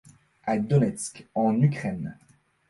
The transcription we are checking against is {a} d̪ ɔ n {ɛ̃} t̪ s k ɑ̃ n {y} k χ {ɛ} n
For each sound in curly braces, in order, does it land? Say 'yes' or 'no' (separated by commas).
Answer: yes, no, yes, yes